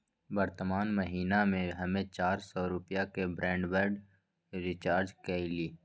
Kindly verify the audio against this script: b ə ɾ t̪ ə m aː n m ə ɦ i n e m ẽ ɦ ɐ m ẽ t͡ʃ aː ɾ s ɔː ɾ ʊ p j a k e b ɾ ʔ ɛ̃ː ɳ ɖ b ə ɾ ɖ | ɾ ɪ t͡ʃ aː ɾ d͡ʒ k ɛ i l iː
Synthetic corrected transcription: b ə ɾ t̪ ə m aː n m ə ɦ iː n a m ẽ ɦ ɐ m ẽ t͡ʃ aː ɾ s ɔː ɾ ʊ p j a k e b ɾ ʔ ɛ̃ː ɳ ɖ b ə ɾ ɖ | ɾ ɪ t͡ʃ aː ɾ d͡ʒ k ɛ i l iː

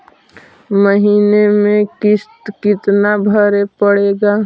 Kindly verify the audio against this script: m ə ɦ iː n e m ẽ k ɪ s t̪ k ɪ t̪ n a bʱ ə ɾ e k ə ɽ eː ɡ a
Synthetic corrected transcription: m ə ɦ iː n e m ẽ k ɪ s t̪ k ɪ t̪ n a bʱ ə ɾ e p ə ɽ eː ɡ a

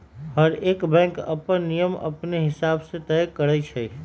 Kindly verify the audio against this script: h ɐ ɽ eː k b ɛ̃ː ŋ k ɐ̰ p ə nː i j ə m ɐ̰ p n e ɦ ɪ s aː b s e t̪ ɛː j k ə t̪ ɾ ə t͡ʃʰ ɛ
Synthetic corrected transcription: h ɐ ɾ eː k b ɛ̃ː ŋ k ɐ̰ p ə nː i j ə m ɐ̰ p n e ɦ ɪ s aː b s e t̪ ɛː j k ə ɾ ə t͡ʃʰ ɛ

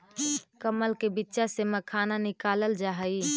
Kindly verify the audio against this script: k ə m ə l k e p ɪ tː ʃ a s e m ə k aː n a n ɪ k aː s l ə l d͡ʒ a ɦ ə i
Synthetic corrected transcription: k ə m ə l k e b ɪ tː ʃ a s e m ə kʰ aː n a n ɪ k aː l ə l d͡ʒ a ɦ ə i

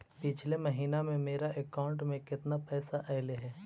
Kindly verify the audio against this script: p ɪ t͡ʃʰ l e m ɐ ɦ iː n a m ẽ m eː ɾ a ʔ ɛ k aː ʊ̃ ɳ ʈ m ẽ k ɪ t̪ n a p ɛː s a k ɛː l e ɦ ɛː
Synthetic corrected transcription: p ɪ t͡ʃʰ l e m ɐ ɦ iː n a m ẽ m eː ɾ a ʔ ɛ k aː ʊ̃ ɳ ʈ m ẽ k ɪ t̪ n a p ɛː s a ʔ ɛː l e ɦ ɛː

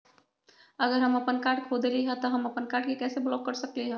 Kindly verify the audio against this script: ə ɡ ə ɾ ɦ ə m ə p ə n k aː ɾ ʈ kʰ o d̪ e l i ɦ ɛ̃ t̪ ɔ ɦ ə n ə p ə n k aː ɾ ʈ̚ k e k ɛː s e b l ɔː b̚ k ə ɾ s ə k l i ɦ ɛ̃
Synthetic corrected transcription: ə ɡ ə ɾ ɦ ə m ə p ə n k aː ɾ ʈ kʰ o d̪ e l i ɦ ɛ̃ t̪ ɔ ɦ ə m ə p ə n k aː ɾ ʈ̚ k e k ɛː s e b l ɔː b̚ k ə ɾ s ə k l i ɦ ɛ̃

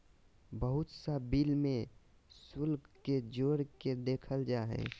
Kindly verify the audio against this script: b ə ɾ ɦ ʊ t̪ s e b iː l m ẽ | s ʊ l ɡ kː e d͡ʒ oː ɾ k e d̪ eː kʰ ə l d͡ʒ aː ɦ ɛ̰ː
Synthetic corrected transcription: b ə ɦ ʊ t̪ s a b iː l m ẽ | s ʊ l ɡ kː e d͡ʒ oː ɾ k e d̪ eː kʰ ə l d͡ʒ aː ɦ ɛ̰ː

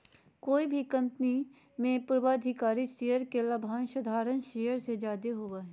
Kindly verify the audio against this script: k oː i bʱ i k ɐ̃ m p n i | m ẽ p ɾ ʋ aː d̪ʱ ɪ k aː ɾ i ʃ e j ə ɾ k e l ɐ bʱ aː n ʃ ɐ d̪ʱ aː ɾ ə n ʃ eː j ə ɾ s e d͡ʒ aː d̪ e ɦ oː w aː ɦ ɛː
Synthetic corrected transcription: k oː i bʱ i k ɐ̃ m p n i | m ẽ p ɾ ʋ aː d̪ʱ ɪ k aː ɾ i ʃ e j ə ɾ k e l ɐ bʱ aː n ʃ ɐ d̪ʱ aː ɾ ə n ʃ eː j ə ɾ s e d͡ʒ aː d̪ e ɦ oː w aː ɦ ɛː

